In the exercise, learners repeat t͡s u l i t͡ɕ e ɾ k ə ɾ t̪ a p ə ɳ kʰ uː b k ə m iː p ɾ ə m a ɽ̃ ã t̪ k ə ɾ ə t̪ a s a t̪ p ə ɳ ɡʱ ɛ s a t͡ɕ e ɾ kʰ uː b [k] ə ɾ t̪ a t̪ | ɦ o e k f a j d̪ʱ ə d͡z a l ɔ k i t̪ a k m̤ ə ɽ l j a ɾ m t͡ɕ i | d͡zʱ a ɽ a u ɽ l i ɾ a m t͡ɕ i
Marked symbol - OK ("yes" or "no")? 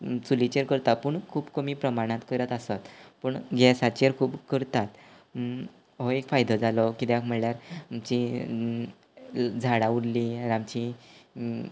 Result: yes